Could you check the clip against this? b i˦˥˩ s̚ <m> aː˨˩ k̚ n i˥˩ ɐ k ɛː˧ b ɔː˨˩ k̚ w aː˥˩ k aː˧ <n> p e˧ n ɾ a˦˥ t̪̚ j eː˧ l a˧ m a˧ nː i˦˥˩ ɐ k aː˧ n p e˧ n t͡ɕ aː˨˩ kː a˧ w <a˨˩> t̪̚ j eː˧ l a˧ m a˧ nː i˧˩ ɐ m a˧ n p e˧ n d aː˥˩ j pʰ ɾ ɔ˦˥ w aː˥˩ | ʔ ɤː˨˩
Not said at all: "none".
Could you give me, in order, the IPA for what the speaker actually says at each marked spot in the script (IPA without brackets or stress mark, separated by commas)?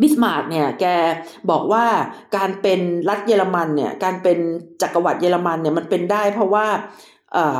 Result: m, n, a˨˩